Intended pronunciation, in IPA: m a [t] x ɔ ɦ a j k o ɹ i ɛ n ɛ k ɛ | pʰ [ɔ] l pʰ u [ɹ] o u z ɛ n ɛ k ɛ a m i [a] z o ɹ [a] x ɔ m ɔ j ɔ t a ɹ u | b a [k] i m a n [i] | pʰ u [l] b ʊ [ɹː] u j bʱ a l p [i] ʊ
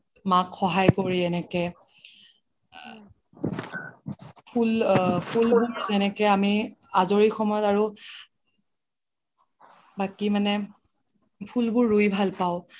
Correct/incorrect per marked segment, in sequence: incorrect, incorrect, incorrect, correct, incorrect, correct, incorrect, correct, correct, incorrect

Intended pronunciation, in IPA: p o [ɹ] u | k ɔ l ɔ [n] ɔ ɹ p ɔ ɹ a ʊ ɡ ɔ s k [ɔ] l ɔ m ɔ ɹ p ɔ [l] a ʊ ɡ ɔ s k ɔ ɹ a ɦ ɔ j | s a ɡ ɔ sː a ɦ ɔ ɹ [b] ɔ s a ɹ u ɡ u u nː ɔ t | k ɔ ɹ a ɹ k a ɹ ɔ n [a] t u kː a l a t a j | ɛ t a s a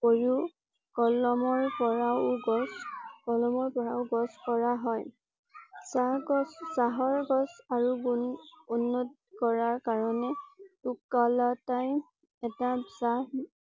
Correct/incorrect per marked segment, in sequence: correct, incorrect, correct, incorrect, incorrect, incorrect

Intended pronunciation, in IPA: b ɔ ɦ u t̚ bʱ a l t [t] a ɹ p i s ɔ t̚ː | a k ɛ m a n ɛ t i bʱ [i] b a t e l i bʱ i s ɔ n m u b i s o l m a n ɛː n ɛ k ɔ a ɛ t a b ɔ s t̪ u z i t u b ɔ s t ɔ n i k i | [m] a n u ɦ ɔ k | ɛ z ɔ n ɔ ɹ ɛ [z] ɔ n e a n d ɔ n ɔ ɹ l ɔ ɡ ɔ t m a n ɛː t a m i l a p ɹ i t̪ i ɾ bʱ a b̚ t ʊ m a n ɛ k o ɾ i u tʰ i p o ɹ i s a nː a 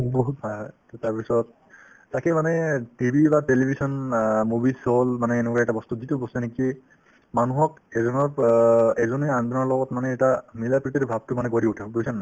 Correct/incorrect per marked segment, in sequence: correct, correct, correct, correct

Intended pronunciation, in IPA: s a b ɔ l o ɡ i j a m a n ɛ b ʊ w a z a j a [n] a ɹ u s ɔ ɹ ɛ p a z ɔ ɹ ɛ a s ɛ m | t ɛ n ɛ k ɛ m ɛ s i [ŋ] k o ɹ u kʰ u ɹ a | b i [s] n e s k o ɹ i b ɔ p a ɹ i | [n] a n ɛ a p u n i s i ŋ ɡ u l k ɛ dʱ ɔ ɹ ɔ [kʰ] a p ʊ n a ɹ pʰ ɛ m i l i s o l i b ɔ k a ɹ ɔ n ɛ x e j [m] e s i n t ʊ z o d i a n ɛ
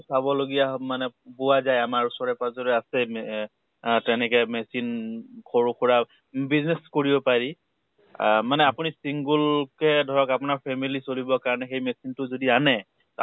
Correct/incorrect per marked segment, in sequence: incorrect, incorrect, incorrect, incorrect, incorrect, correct

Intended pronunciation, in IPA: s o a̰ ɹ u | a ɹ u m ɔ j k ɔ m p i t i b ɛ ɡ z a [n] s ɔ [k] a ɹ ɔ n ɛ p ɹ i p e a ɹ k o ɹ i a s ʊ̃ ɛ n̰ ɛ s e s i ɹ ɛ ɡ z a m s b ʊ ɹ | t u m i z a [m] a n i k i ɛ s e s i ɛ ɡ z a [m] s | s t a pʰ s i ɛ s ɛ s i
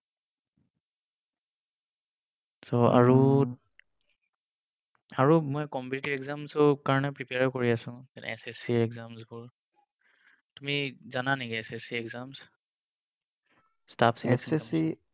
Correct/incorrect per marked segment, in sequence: incorrect, correct, incorrect, correct

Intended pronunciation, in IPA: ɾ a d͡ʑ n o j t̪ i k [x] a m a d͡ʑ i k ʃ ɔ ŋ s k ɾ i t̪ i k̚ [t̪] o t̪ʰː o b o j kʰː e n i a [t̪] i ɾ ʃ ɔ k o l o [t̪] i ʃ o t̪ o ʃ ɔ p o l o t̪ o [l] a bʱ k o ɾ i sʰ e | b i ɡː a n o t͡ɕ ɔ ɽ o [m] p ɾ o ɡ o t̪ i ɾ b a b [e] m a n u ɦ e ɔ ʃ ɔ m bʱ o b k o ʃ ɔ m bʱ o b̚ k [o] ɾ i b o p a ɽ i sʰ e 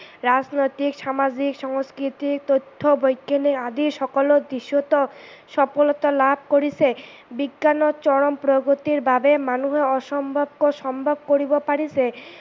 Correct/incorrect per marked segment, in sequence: incorrect, correct, incorrect, incorrect, correct, correct, correct, correct

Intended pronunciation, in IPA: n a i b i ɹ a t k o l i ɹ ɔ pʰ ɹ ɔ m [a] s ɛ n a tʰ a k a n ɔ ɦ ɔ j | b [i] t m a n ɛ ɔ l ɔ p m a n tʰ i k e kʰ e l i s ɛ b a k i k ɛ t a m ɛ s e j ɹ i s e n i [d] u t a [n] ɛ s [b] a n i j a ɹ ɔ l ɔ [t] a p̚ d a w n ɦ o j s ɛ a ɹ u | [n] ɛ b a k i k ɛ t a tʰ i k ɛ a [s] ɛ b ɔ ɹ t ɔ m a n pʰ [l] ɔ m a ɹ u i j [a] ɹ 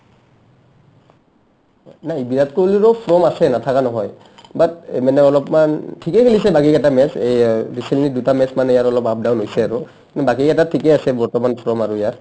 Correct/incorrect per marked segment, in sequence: correct, incorrect, correct, incorrect, incorrect, incorrect, correct, correct, incorrect, correct

